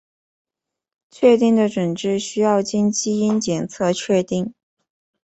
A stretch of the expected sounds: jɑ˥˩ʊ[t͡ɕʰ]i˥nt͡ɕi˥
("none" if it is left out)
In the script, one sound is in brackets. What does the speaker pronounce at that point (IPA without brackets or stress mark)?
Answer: t͡ɕ